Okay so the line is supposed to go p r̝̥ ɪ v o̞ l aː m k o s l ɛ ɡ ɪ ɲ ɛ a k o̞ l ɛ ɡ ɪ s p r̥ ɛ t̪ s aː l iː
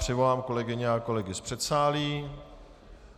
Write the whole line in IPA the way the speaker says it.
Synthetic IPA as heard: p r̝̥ ɪ v o̞ l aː m k o l ɛ ɡ ɪ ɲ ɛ a k o̞ l ɛ ɡ ɪ s p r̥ ɛ t̪ s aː l iː